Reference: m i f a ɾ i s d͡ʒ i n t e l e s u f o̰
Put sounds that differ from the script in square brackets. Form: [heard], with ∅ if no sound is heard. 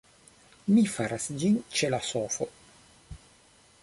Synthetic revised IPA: m i f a ɾ [a] s d͡ʒ i n [t͡ʃ] e l [a] s [o] f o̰